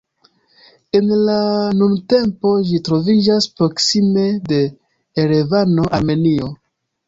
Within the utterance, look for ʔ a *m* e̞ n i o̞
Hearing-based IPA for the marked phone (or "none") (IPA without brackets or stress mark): m